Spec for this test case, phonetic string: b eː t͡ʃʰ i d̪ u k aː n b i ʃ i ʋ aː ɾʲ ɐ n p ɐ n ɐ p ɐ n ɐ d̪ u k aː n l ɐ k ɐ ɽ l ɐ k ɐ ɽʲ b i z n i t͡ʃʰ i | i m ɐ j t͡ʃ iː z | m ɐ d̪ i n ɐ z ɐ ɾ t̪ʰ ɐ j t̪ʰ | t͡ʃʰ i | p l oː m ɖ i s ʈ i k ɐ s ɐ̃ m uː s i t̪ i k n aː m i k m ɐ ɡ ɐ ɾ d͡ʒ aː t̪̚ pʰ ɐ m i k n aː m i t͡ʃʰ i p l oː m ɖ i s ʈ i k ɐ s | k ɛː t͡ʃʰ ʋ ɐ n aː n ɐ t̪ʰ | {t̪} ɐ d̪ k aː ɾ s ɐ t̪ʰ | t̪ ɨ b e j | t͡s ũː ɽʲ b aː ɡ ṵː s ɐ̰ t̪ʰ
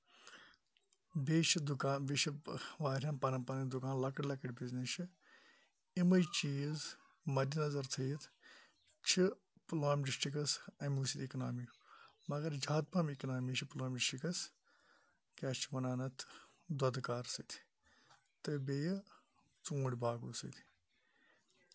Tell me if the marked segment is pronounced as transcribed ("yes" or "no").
no